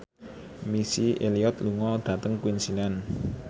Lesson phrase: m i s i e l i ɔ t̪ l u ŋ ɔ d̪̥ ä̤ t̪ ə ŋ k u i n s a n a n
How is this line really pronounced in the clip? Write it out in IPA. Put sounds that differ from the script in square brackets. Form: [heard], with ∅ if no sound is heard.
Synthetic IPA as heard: m i s i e l i ɔ t̪ l u ŋ ɔ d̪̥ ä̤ t̪ ə ŋ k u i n s [i] n a n